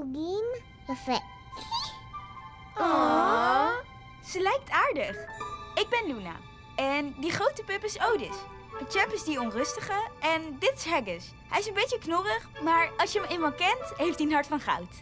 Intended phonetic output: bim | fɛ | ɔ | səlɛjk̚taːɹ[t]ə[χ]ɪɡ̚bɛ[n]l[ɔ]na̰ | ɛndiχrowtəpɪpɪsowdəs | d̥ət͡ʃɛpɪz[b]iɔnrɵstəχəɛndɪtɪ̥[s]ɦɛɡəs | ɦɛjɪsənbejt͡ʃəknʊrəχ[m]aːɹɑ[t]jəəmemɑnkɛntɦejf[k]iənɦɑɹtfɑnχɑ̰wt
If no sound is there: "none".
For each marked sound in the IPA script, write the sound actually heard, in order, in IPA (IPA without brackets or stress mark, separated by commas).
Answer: d, χ, n, u, d, s, m, s, t